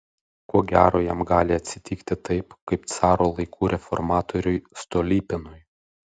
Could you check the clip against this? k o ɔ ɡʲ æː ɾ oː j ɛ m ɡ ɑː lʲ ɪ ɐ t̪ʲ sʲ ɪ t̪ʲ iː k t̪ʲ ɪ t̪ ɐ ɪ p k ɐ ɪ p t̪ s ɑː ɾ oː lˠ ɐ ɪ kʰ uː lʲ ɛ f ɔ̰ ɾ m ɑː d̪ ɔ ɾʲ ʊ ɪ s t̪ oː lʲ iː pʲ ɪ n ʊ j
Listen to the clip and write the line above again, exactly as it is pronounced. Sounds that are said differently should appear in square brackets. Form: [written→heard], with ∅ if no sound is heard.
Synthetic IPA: k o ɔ ɡʲ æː ɾ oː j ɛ m ɡ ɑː lʲ ɪ ɐ t̪ʲ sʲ ɪ t̪ʲ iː k t̪ʲ ɪ t̪ ɐ ɪ p k ɐ ɪ p t̪ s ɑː ɾ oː lˠ ɐ ɪ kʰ uː [lʲ→ɾʲ] ɛ f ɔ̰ ɾ m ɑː [d̪→t̪] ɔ ɾʲ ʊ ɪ s t̪ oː lʲ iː pʲ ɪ n ʊ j